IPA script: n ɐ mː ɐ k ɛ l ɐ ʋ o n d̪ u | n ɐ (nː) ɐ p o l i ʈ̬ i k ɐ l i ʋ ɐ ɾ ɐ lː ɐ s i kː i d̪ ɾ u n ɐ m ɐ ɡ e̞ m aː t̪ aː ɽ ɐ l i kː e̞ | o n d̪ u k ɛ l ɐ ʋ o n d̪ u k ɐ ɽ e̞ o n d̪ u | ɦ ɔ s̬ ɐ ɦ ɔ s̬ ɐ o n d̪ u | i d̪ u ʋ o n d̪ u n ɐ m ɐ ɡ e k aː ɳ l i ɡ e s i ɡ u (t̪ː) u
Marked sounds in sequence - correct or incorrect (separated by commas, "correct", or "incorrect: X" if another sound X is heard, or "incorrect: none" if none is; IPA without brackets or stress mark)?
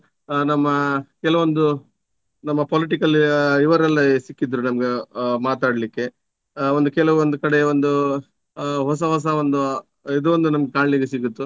incorrect: mː, correct